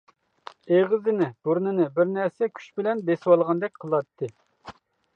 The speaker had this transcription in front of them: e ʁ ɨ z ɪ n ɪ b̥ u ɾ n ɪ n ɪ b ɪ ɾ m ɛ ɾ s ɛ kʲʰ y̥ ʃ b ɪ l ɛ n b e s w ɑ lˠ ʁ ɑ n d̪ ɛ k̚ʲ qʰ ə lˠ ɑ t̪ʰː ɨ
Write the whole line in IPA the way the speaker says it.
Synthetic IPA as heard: e ʁ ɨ z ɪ n ɪ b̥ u ɾ n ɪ n ɪ b ɪ ɾ n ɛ ɾ s ɛ kʲʰ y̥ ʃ b ɪ l ɛ n b e s w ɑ lˠ ʁ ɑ n d̪ ɛ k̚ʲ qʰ ə lˠ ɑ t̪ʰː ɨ